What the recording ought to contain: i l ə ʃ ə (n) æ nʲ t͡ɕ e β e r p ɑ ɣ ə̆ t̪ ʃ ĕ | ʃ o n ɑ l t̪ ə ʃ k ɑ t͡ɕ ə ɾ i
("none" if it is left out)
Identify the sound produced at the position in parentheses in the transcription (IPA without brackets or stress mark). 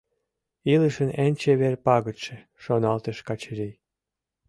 n